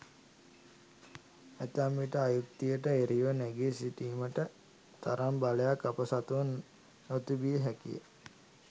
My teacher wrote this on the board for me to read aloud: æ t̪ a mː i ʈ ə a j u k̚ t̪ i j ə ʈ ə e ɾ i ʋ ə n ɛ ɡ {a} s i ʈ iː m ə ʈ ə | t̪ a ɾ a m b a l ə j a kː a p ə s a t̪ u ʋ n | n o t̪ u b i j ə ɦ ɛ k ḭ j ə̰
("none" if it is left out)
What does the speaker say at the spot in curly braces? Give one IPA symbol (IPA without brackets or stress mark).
e